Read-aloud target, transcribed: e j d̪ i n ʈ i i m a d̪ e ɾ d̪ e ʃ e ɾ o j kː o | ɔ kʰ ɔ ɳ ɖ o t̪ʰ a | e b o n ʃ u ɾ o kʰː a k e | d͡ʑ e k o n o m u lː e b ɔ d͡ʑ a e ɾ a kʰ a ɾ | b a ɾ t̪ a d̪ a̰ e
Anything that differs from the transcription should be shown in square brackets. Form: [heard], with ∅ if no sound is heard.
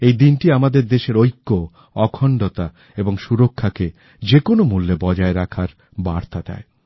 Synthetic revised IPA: e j d̪ i n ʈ i [a] m a d̪ e ɾ d̪ e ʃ e ɾ o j kː o | ɔ kʰ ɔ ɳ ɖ o [t̪] a | e b o [ŋ] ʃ u ɾ o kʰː a k e | d͡ʑ e k o n o m u lː e b ɔ d͡ʑ a e ɾ a kʰ a ɾ | b a ɾ t̪ a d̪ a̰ e

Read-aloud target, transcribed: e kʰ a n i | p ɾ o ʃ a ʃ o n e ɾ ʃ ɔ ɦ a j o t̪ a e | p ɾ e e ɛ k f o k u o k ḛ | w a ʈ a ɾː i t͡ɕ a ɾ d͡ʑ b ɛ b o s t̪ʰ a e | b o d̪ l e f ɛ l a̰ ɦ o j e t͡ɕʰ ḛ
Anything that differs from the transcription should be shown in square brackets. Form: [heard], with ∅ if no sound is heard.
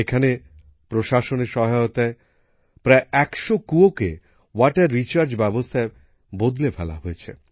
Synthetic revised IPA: e kʰ a n [e] | p ɾ o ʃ a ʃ o n e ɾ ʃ ɔ ɦ a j o t̪ a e | p ɾ [a] e ɛ k [ʃ] o k u o k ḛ | w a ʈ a ɾː i t͡ɕ a ɾ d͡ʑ b ɛ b o s t̪ʰ a e | b o d̪ l e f ɛ l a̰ ɦ o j e t͡ɕʰ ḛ

